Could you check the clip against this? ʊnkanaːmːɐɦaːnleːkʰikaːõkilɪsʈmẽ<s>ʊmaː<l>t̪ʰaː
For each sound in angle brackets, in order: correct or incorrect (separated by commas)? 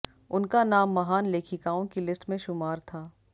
incorrect, incorrect